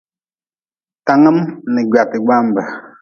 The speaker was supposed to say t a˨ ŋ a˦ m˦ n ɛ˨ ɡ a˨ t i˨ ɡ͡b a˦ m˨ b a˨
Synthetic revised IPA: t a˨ ŋ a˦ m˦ n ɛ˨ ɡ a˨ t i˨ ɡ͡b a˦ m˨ b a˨

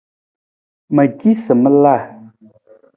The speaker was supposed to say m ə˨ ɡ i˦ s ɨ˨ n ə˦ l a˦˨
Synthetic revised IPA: m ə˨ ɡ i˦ s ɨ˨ m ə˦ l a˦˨

